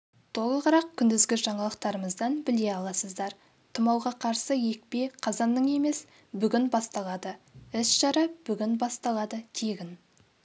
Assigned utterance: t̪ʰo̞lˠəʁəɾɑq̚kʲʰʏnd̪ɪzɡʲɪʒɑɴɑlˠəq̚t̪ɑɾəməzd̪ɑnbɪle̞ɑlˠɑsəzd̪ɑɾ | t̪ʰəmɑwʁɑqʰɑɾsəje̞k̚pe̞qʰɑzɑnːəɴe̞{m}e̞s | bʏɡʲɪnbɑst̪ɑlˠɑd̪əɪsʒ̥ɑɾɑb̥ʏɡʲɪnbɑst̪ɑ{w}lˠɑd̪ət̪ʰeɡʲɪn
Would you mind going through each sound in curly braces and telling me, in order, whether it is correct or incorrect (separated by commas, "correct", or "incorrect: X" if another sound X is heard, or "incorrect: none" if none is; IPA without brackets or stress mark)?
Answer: correct, incorrect: none